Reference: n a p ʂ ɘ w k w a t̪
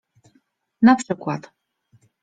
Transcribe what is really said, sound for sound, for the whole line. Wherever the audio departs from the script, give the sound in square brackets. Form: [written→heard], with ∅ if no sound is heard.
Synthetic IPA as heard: n a p ʂ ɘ [w→∅] k w a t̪